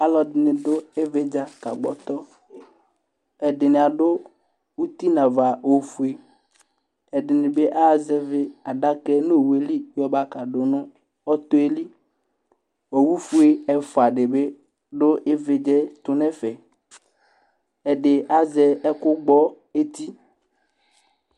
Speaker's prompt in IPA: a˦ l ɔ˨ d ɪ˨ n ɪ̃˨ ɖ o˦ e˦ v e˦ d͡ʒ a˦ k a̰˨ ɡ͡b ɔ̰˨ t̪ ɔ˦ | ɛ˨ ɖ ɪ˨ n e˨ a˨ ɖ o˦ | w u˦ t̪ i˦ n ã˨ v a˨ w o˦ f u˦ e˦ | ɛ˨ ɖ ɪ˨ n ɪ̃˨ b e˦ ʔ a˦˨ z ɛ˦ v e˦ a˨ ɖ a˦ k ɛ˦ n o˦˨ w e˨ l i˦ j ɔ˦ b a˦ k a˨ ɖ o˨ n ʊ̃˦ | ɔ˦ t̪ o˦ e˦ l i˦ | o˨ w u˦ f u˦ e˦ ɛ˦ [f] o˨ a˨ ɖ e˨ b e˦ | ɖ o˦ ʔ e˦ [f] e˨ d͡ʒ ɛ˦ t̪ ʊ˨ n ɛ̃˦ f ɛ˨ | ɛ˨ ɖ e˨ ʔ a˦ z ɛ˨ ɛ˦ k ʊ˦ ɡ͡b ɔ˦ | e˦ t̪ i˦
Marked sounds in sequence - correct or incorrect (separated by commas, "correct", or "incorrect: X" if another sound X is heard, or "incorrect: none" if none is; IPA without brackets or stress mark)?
correct, incorrect: v